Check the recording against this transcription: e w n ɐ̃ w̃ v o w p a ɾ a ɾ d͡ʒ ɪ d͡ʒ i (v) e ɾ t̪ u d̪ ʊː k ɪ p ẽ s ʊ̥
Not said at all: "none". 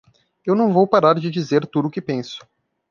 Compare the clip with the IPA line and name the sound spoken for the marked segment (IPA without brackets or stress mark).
z